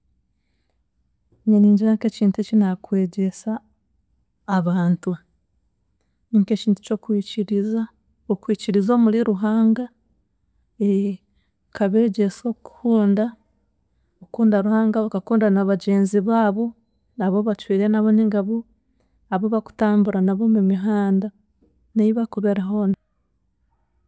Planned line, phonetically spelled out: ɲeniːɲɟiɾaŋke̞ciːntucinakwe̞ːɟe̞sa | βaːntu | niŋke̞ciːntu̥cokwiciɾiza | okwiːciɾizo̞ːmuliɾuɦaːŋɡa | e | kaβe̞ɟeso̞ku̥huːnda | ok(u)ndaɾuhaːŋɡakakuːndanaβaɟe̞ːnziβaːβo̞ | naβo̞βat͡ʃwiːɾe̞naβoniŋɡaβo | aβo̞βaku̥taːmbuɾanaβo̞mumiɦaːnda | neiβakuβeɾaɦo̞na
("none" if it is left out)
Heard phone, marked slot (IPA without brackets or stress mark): uː